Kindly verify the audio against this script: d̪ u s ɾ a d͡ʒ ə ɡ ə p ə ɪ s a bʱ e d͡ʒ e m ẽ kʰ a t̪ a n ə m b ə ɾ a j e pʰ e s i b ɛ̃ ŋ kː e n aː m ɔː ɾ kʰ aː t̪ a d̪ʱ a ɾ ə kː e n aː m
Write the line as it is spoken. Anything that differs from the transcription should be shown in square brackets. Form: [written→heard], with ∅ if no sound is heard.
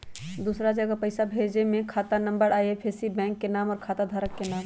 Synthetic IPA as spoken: d̪ u s ɾ a d͡ʒ ə ɡ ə p ə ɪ s a bʱ e d͡ʒ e m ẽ kʰ a t̪ a n ə m b ə ɾ a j e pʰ e s i b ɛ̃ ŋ kː e n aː m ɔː ɾ kʰ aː t̪ a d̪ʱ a ɾ ə kː e n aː m